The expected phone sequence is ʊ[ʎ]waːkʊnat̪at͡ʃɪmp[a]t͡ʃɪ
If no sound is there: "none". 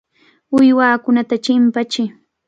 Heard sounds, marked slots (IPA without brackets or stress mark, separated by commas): j, a